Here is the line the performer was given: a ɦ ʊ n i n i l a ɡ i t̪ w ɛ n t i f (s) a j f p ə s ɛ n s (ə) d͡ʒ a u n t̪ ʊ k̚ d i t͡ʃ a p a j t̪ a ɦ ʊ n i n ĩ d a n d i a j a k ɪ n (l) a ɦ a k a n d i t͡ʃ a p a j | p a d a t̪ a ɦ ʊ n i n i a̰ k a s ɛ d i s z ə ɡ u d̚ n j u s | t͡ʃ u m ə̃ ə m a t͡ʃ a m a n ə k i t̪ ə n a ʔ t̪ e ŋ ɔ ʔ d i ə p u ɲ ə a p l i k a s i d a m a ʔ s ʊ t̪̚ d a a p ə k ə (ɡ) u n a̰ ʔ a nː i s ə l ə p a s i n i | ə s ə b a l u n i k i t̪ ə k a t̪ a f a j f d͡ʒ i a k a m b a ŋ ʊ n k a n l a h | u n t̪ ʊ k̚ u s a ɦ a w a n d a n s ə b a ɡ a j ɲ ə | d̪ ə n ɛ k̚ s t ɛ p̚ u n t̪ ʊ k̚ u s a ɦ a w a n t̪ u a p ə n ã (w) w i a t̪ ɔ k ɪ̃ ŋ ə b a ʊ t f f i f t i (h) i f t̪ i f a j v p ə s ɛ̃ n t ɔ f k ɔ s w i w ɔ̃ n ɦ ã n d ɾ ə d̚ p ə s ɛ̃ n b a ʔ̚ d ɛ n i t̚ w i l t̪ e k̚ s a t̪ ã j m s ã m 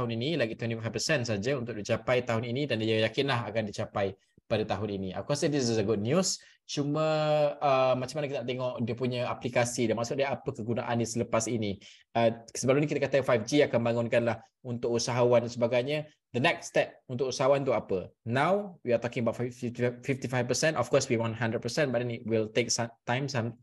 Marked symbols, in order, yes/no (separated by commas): no, no, yes, yes, yes, no